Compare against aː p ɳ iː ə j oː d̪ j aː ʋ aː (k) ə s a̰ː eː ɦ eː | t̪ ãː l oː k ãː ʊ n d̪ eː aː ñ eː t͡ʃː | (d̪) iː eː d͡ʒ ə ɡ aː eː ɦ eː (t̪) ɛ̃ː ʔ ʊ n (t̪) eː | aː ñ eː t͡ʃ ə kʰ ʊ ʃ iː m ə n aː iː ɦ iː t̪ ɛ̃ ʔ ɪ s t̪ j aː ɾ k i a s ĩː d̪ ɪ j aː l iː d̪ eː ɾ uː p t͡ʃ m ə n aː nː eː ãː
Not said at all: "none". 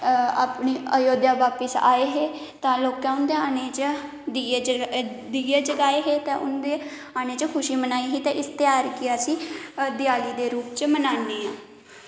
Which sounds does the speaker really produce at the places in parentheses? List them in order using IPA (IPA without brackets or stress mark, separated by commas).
p, d̪, t̪, d̪